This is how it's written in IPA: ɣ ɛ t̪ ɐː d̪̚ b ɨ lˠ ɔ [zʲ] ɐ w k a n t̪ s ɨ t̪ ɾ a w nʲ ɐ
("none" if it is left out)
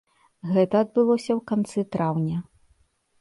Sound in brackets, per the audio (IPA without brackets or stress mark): sʲ